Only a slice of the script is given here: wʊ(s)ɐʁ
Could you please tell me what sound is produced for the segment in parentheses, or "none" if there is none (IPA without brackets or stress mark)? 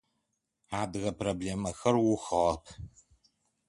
x